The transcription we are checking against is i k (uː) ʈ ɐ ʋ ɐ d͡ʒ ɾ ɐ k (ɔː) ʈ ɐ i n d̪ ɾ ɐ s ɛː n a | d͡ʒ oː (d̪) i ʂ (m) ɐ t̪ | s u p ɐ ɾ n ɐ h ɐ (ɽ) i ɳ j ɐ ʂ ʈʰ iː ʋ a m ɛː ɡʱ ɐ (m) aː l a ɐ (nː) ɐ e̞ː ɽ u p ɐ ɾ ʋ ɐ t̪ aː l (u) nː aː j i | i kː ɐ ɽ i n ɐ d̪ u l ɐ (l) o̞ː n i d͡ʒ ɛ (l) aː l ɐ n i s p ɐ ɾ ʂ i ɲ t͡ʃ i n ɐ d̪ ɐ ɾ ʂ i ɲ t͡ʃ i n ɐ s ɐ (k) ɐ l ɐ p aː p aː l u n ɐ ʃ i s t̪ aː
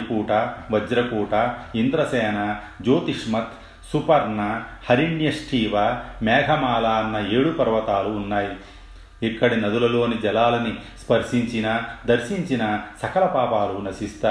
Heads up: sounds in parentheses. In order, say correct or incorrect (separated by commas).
correct, incorrect, incorrect, correct, incorrect, correct, correct, incorrect, correct, correct, correct